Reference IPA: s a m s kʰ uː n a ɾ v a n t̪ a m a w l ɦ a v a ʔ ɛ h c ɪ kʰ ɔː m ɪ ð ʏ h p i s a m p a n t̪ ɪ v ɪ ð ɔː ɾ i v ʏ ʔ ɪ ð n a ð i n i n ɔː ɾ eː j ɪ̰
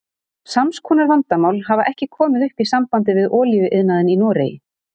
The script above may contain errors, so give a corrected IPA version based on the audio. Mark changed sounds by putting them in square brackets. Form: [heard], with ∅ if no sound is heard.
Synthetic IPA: s a m s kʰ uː n a ɾ v a n t̪ a m a w l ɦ a v a ʔ ɛ h c ɪ kʰ ɔː m ɪ ð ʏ h p i s a m p a n t̪ ɪ v ɪ ð ɔː [l] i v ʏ ʔ ɪ ð n a ð [ɪ] n i n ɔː ɾ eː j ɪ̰